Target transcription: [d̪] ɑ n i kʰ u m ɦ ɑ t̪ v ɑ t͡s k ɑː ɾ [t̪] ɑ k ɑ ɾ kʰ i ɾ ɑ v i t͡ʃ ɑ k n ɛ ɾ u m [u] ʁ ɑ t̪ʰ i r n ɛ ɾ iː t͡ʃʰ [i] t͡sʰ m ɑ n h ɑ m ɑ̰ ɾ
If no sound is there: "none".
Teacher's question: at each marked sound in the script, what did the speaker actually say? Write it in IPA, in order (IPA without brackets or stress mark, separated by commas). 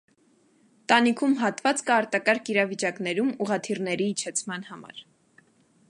t̪, t̪, u, ɛ